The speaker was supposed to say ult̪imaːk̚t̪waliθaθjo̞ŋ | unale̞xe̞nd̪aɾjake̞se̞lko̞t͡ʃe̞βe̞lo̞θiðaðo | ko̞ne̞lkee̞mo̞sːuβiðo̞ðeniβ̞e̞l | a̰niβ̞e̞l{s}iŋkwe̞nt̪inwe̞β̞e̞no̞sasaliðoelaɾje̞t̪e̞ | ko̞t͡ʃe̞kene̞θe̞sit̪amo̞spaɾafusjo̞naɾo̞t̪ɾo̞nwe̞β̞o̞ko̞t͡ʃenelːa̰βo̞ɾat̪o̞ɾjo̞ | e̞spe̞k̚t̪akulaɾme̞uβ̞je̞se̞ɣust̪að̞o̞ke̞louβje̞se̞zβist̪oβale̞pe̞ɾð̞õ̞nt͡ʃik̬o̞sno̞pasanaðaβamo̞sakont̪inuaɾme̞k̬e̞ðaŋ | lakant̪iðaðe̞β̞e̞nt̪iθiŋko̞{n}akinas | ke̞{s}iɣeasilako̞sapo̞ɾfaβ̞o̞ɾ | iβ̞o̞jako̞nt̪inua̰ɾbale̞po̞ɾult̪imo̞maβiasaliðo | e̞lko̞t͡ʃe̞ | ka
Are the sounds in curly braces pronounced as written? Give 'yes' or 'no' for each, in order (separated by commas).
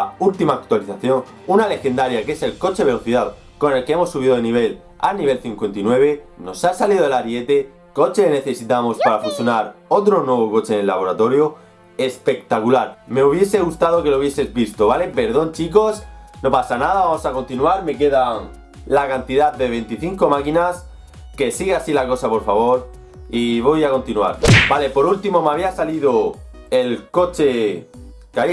no, no, yes